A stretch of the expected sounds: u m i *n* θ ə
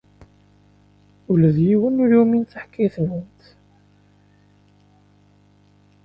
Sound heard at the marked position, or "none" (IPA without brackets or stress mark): n